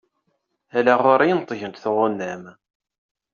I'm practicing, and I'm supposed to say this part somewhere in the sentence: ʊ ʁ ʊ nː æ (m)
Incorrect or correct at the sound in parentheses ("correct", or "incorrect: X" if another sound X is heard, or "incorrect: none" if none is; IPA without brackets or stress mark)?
correct